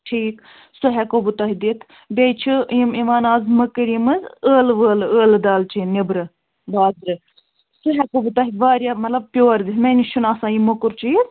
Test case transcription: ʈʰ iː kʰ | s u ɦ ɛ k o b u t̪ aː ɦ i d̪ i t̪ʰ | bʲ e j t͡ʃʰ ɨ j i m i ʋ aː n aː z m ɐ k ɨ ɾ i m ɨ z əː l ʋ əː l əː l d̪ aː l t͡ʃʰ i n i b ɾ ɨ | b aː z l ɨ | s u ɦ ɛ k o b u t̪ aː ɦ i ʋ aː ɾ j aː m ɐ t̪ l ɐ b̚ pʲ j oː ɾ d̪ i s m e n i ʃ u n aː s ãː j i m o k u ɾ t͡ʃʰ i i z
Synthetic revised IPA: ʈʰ iː k | s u ɦ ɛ k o b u t̪ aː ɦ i d̪ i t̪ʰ | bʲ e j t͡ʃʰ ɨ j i m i ʋ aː n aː z m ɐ k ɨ ɾ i m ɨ z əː l ʋ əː l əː l d̪ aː l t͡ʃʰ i n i b ɾ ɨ | b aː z ɾ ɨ | s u ɦ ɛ k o b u t̪ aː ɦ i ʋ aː ɾ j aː m ɐ t̪ l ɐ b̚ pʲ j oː ɾ d̪ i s m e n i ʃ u n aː s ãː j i m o k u ɾ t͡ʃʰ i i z